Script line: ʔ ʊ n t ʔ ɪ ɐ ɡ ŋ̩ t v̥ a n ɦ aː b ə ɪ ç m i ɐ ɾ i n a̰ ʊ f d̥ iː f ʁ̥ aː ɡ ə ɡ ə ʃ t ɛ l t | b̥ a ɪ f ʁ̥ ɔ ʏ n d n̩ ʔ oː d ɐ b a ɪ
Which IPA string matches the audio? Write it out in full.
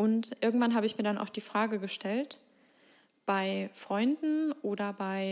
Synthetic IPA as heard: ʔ ʊ n t ʔ ɪ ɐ ɡ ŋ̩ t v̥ a n ɦ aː b ə ɪ ç m iː ɐ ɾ a n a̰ ʊ x d̥ iː f ʁ̥ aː ɡ ə ɡ ə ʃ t ɛ l t | b̥ a ɪ f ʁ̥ ɔ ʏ n d n̩ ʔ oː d ɐ b a ɪ